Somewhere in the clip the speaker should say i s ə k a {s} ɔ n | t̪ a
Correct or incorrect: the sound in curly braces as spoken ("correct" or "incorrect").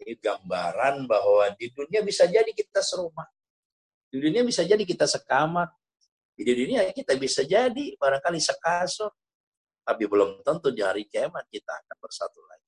correct